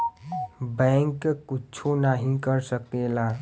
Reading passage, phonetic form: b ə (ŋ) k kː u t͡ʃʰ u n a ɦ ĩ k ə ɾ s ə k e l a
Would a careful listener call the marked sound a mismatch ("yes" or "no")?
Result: no